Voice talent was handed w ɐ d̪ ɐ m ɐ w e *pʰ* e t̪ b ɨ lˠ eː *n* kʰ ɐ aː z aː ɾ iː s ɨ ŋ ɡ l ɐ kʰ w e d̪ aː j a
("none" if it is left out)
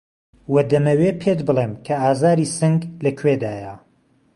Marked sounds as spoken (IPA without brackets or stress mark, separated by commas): pʰ, m